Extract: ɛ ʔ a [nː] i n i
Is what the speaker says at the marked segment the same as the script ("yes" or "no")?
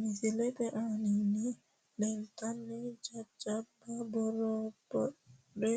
no